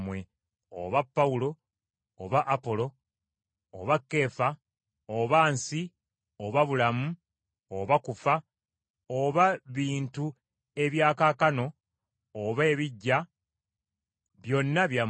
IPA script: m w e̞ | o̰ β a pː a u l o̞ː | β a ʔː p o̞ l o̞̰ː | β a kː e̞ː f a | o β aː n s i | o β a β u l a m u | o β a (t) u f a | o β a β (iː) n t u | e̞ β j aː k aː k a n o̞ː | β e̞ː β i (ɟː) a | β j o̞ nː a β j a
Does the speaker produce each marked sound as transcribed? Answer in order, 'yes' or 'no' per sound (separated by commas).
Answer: no, yes, yes